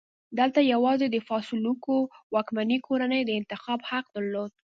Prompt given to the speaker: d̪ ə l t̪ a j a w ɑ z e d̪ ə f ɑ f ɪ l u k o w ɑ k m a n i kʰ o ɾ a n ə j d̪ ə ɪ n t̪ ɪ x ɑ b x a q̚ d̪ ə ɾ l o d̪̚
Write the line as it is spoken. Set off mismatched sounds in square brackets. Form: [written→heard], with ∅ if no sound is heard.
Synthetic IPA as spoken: d̪ ə l t̪ a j a w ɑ z e d̪ ə f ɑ [f→s] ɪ l u k o w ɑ k m a n i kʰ o ɾ a n ə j d̪ ə ɪ n t̪ ɪ x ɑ b [x→h] a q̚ d̪ ə ɾ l o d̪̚